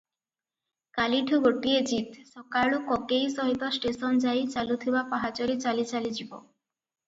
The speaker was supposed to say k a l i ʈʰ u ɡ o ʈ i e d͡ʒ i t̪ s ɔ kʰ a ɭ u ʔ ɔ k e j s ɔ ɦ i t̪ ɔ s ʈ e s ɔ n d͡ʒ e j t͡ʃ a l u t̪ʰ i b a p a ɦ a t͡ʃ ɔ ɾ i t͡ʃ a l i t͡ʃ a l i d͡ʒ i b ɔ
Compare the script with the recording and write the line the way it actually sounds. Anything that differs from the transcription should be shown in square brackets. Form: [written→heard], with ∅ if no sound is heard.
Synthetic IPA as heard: k a l i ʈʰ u ɡ o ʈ i e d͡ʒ i t̪ s ɔ [kʰ→k] a ɭ u [ʔ→k] ɔ k e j s ɔ ɦ i t̪ ɔ s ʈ e s ɔ n d͡ʒ [e→a] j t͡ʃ a l u t̪ʰ i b a p a ɦ a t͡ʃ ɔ ɾ i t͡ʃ a l i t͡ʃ a l i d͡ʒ i b ɔ